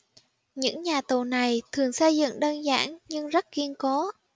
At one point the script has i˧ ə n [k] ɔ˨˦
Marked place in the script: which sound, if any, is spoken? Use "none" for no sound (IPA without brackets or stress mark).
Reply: k